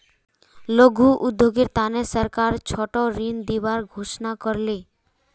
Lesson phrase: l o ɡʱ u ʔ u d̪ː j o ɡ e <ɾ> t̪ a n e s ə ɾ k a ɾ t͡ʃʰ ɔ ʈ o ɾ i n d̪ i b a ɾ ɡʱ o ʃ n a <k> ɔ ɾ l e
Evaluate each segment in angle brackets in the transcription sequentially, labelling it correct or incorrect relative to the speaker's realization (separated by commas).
correct, correct